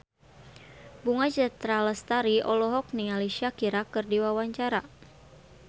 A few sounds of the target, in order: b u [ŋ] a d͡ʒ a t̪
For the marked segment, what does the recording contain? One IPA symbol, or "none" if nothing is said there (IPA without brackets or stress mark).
ŋ